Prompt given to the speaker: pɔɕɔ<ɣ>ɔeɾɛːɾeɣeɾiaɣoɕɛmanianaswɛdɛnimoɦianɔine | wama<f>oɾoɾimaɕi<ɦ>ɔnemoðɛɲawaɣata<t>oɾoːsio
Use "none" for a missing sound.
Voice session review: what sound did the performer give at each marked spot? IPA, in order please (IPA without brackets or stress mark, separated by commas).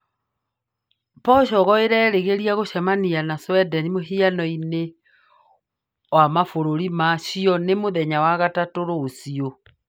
ɣ, f, none, t